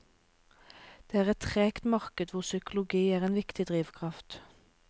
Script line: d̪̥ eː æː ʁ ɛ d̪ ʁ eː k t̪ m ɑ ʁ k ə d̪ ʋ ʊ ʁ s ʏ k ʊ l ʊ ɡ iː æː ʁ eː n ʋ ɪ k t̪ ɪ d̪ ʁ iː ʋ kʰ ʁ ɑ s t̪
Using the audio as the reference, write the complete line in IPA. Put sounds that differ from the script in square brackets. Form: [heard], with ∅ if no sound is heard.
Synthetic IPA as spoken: d̪̥ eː æː ʁ ɛ [t̪] ʁ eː k t̪ m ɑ ʁ k ə d̪ ʋ ʊ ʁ s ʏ k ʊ l ʊ ɡ iː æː ʁ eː n ʋ ɪ k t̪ ɪ d̪ ʁ iː ʋ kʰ ʁ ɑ [f] t̪